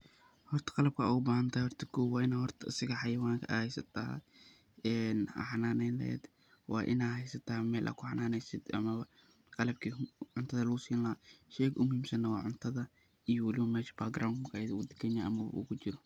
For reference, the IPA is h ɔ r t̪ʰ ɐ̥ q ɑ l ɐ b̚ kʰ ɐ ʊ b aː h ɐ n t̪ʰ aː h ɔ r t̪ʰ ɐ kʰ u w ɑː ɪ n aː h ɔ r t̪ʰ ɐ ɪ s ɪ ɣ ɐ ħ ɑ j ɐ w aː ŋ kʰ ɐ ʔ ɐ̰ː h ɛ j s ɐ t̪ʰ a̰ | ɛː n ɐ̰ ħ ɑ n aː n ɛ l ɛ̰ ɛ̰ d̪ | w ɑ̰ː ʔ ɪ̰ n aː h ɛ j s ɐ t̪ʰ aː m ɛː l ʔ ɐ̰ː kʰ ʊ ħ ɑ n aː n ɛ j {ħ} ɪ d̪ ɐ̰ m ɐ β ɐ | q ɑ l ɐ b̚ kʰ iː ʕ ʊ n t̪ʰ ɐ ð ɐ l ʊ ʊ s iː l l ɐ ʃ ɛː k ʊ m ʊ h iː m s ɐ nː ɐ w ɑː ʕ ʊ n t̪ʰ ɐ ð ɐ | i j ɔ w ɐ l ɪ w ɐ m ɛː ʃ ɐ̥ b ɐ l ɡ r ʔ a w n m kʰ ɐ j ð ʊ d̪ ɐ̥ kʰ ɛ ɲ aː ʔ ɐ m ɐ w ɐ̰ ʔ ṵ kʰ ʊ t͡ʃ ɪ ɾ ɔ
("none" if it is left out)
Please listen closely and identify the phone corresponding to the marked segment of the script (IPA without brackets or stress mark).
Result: s